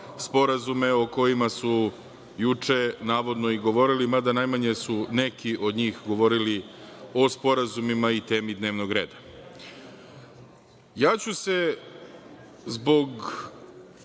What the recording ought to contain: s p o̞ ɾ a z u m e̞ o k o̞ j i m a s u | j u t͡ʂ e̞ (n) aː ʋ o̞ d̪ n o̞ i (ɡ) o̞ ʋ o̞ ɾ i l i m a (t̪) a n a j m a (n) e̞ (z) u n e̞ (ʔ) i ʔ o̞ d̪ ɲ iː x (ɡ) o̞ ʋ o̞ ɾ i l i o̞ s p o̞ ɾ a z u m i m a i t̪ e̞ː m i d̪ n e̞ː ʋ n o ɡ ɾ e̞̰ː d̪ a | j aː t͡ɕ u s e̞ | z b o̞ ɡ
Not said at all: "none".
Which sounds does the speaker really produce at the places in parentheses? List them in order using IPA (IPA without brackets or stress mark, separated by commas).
n, ɡ, d̪, ɲ, s, k, ɡ